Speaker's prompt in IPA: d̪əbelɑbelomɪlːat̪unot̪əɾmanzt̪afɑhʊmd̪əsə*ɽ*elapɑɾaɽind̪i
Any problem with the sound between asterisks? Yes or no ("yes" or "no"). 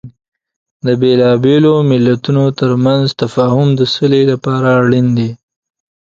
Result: yes